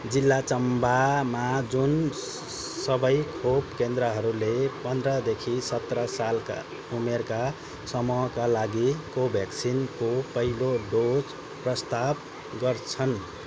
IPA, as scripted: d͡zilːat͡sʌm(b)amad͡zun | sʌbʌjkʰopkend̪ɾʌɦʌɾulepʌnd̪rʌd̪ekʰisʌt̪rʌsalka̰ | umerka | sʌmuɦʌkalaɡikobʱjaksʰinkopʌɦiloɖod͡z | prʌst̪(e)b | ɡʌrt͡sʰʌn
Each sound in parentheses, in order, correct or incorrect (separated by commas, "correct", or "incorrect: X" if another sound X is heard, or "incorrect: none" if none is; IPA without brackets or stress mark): correct, incorrect: a